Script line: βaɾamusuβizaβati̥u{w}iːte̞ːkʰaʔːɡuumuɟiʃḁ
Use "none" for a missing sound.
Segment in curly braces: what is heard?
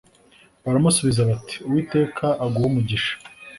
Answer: w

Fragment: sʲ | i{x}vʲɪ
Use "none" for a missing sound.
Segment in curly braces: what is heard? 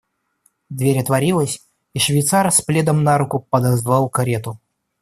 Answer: ʂ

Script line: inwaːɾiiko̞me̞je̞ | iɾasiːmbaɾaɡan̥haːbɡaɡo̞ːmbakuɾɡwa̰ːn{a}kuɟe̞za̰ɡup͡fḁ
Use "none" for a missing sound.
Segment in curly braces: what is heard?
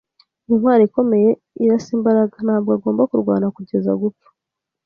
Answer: a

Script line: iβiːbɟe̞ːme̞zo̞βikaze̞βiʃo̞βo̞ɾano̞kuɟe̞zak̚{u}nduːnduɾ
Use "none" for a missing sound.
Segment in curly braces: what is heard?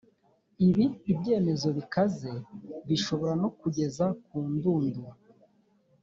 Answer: uː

